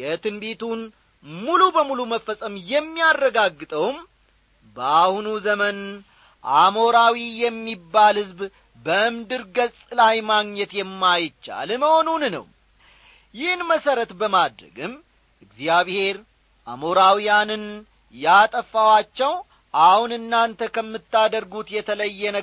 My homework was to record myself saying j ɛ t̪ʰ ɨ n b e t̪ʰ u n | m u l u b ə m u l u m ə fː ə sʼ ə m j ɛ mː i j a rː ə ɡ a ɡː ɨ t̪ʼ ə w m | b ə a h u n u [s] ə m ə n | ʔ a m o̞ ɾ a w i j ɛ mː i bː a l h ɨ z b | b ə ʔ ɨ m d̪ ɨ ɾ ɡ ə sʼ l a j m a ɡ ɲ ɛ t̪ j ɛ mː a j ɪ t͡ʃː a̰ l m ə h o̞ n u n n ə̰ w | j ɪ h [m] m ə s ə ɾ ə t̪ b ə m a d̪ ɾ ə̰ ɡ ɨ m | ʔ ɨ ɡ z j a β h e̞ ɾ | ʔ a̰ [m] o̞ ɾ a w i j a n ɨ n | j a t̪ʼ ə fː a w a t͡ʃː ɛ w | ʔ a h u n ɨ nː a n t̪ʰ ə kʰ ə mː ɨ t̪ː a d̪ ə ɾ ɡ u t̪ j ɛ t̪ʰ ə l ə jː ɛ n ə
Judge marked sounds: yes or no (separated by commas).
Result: no, no, yes